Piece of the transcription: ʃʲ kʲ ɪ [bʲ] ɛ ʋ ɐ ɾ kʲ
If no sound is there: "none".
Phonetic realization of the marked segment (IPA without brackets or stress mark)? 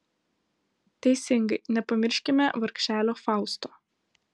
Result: mʲ